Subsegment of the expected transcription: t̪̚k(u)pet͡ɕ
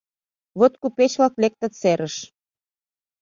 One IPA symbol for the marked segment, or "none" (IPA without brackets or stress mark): u